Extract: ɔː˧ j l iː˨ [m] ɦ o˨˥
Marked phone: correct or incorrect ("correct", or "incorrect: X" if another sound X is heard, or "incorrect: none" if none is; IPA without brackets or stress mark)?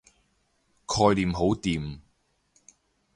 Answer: correct